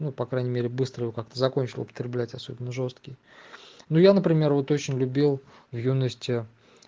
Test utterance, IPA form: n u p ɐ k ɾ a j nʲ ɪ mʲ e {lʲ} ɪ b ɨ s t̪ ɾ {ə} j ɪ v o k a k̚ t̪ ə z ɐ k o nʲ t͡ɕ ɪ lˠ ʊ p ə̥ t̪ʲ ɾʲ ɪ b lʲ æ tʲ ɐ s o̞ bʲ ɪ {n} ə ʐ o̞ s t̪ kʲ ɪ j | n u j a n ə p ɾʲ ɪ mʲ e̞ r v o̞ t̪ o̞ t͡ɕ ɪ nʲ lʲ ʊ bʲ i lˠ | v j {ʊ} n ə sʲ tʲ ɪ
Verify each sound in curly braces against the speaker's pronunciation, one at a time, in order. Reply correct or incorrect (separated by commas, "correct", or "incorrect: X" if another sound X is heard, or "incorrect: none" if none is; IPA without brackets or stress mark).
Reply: incorrect: ɾʲ, correct, incorrect: nː, incorrect: u